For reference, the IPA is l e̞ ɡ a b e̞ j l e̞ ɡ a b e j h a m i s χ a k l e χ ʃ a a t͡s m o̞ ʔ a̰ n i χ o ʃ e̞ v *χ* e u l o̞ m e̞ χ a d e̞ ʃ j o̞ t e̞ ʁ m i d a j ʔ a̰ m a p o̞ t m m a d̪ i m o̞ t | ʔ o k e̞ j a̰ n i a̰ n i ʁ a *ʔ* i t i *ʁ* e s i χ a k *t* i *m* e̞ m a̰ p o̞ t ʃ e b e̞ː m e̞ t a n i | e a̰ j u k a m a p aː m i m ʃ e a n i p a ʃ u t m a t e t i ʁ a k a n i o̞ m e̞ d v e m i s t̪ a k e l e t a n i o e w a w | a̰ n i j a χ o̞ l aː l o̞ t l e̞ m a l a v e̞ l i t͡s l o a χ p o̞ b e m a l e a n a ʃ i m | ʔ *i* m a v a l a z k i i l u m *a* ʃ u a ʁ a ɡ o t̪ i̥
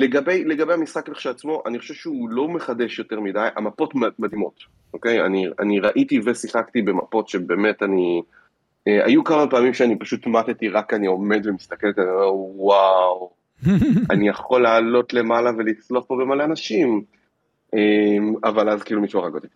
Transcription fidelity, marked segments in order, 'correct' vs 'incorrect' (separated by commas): incorrect, correct, incorrect, correct, incorrect, incorrect, incorrect